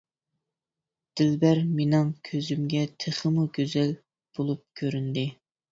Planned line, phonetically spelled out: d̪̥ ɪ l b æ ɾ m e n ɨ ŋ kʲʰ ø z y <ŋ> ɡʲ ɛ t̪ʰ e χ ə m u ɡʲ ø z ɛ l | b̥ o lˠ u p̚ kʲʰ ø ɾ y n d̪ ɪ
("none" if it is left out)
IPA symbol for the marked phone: m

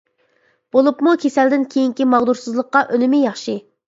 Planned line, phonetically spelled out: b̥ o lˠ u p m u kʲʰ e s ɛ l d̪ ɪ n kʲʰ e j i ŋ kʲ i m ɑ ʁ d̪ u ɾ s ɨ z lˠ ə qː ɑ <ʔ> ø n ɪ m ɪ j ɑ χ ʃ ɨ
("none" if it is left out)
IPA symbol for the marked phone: ʔ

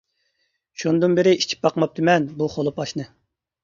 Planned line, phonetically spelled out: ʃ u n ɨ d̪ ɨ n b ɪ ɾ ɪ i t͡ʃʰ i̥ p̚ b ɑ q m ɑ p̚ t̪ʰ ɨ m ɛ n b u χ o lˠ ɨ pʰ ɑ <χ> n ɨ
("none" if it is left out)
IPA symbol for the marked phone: ʃ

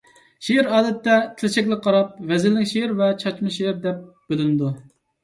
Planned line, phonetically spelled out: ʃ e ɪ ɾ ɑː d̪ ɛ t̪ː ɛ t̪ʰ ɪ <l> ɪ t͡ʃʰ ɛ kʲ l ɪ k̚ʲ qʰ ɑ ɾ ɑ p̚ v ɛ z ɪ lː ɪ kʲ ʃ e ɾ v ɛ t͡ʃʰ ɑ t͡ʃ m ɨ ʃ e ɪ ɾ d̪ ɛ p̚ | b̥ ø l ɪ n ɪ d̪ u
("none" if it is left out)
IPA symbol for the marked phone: l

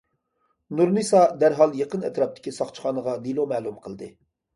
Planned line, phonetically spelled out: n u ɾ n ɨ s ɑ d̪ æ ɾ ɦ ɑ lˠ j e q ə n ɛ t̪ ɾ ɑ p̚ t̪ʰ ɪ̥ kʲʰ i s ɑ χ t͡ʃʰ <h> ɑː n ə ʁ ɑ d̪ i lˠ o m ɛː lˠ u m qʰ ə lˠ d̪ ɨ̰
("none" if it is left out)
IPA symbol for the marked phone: χ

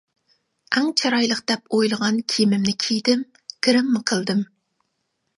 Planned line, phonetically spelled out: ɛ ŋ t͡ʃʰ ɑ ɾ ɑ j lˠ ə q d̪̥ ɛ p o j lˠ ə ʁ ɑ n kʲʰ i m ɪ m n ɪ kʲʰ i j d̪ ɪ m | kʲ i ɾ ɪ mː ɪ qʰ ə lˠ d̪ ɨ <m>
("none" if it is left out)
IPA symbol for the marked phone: m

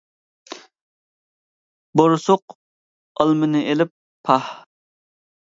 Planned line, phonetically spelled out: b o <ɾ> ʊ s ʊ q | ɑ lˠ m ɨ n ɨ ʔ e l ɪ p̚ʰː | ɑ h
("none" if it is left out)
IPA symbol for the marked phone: ɾ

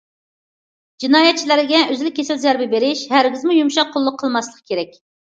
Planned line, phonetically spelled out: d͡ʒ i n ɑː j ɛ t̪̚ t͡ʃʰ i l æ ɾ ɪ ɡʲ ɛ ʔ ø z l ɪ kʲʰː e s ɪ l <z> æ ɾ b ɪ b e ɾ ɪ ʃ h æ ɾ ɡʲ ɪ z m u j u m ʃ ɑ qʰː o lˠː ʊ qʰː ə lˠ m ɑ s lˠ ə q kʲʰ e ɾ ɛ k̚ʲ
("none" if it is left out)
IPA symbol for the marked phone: z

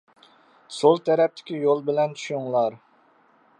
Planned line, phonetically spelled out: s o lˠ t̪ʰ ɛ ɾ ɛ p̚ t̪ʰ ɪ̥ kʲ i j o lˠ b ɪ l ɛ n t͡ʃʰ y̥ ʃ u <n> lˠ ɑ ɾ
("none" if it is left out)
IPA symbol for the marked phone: ŋ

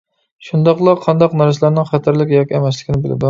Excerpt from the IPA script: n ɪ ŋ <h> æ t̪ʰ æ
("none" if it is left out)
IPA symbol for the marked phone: χ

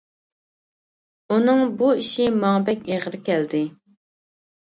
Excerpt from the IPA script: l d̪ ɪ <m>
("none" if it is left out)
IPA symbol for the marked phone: none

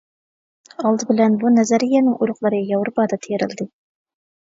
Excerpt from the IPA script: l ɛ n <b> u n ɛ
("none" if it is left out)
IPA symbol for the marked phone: b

